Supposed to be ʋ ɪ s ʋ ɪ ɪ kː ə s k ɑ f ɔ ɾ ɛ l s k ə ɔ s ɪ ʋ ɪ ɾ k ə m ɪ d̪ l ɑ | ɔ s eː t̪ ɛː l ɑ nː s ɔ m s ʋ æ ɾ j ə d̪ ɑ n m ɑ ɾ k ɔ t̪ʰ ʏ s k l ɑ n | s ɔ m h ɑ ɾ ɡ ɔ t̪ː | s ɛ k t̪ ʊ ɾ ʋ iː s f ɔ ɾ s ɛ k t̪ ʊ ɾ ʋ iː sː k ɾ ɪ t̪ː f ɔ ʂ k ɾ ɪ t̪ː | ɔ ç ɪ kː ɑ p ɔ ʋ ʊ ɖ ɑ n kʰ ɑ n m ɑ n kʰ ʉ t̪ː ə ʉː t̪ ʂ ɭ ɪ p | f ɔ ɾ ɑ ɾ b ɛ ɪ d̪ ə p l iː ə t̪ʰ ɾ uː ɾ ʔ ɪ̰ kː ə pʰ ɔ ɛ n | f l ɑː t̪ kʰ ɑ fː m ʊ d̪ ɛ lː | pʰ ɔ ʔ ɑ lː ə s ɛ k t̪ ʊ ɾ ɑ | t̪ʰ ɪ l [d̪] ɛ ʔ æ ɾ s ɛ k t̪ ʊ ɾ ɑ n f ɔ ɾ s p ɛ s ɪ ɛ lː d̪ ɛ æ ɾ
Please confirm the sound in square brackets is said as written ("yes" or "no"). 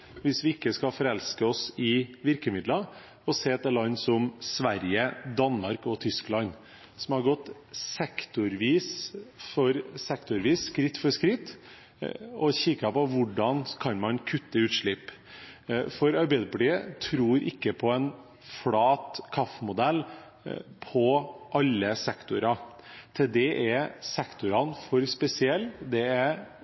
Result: yes